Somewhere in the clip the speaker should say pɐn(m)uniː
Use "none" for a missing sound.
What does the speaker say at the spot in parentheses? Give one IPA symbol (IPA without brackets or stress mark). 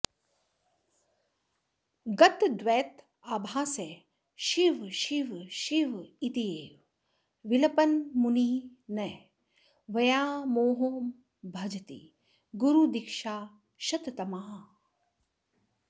m